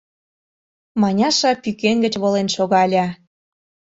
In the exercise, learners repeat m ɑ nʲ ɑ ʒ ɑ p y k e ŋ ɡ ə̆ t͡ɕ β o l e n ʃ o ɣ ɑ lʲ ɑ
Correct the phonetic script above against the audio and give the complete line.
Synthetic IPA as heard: m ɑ nʲ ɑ ʃ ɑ p y k e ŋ ɡ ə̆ t͡ɕ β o l e n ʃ o ɣ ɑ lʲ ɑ

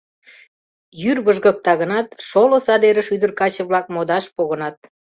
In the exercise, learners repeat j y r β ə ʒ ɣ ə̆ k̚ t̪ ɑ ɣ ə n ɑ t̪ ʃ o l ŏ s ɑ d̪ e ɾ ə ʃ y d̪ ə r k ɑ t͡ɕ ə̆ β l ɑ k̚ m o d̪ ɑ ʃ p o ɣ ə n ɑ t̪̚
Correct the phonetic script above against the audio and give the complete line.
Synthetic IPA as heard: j y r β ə ʒ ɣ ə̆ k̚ t̪ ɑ ɣ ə n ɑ t̪ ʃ o l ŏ s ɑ d̪ e ɾ ə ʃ y d̪ ə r k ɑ t͡ɕ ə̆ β l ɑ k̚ m o d̪ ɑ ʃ p o ɣ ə n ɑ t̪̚

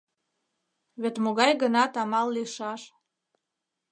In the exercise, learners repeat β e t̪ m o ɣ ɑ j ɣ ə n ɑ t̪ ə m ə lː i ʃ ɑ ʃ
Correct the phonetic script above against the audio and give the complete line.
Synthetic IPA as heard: β e t̪ m o ɣ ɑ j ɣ ə n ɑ t̪ ɑ m ɑ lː i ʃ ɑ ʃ

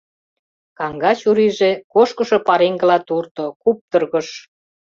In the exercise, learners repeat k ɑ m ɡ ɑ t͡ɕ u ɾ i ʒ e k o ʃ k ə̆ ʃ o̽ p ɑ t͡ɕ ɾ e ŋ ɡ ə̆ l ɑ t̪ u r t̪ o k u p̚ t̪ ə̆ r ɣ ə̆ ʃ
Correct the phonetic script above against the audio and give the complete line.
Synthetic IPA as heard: k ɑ ŋ ɡ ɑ t͡ɕ u ɾ i ʒ e k o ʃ k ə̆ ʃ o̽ p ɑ ɾ e ŋ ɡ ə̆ l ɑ t̪ u r t̪ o k u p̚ t̪ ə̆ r ɣ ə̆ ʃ

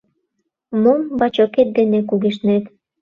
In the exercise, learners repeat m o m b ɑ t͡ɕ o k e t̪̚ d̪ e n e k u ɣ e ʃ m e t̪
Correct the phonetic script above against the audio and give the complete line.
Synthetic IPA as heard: m o m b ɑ t͡ɕ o k e t̪̚ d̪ e n e k u ɣ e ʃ n e t̪

